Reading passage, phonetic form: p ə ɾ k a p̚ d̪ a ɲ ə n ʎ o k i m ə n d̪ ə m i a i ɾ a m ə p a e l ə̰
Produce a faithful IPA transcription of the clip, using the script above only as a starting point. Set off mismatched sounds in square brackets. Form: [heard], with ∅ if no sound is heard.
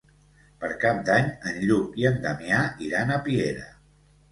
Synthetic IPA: p ə ɾ k a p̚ d̪ a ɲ ə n ʎ [u] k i [∅] ə n d̪ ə m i a i ɾ a [n] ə p [i] e [ɾ] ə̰

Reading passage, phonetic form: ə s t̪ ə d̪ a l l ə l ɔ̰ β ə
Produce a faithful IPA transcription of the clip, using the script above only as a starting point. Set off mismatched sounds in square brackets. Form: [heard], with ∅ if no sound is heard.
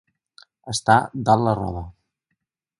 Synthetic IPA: ə s t̪ [a] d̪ a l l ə [r] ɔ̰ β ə

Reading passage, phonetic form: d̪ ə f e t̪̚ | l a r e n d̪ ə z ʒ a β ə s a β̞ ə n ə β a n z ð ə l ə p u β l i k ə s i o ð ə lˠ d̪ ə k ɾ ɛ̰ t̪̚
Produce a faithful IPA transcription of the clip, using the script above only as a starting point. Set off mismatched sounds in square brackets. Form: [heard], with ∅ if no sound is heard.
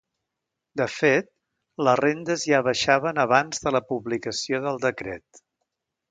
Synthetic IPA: d̪ ə f e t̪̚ | l [ə] r e n d̪ ə z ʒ a β ə [ʃ] a β̞ ə n ə β a n z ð ə l ə p u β l i k ə s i o ð ə lˠ d̪ ə k ɾ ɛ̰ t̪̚

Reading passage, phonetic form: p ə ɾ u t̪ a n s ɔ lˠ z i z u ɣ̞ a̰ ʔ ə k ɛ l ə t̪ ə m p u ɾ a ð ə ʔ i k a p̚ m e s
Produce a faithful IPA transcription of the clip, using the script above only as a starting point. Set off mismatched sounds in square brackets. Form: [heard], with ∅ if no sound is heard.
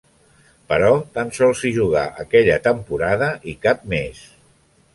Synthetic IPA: p ə ɾ [ɔ] t̪ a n s ɔ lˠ [s] i [ʒ] u ɣ̞ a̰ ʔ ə k ɛ [ʎ] ə t̪ ə m p u ɾ a ð ə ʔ i k a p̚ m e s

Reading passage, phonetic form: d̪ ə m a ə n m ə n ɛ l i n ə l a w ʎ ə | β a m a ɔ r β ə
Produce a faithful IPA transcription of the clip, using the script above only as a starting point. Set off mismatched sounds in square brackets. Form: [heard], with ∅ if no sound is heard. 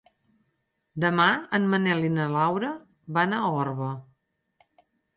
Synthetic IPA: d̪ ə m a ə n m ə n ɛ l i n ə l a w [ɾ] ə | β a [n] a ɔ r β ə

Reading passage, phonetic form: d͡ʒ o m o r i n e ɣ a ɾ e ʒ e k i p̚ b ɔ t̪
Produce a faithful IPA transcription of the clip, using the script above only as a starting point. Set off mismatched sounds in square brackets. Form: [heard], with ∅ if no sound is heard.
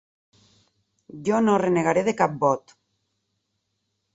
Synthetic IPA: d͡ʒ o [n] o r [e] n e ɣ a ɾ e [ð] e k [a] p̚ b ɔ t̪

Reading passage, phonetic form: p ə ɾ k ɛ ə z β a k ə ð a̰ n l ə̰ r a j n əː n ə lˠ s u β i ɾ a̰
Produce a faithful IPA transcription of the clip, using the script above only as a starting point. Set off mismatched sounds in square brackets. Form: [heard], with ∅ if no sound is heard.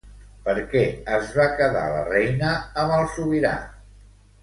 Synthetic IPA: p ə ɾ k ɛ ə z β a k ə ð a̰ [∅] l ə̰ r [ɛ] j n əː [m] ə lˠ s u β i ɾ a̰

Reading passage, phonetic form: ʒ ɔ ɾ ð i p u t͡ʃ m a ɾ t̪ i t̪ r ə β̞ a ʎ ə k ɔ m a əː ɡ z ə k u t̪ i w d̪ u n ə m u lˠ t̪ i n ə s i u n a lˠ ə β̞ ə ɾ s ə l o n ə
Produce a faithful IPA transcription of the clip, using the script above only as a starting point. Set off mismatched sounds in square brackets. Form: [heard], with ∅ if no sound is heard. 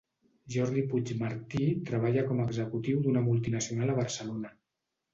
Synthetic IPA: ʒ ɔ ɾ ð i p u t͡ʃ m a ɾ t̪ i t̪ [ɾ] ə β̞ a ʎ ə k ɔ m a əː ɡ z ə k u t̪ i w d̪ u n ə m u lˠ t̪ i n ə s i u n a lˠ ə β̞ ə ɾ s ə l o n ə

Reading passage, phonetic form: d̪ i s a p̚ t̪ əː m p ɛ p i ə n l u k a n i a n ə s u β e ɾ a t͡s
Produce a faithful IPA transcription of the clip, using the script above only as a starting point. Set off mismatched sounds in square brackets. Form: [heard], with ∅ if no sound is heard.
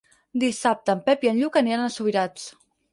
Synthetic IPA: d̪ i s a p̚ t̪ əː m p ɛ p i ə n [ʎ] u k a n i a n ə s u β [i] ɾ a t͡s

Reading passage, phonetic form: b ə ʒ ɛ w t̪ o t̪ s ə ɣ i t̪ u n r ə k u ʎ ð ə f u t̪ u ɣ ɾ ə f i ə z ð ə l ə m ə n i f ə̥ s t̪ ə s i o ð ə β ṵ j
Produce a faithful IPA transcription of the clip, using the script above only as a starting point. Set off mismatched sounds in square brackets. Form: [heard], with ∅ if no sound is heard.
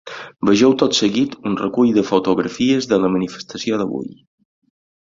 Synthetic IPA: b ə ʒ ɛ w t̪ o t̪ s ə ɣ i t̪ u n r ə k u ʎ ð ə f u t̪ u ɣ ɾ ə f i ə z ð ə l ə m ə n i f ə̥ s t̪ ə s i o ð ə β ṵ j

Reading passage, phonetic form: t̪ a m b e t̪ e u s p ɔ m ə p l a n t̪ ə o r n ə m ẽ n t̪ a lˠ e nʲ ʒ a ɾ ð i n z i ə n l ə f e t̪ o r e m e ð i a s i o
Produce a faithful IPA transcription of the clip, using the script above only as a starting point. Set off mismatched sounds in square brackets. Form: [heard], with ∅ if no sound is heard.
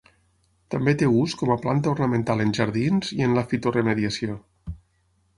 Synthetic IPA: t̪ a m b e t̪ e u s [k] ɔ m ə p l a n t̪ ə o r n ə m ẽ n t̪ a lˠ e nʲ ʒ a ɾ ð i n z i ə n l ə f [i] t̪ o r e m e ð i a s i o

